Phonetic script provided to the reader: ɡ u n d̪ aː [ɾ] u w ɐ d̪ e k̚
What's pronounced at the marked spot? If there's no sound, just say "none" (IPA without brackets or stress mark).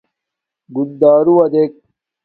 ɾ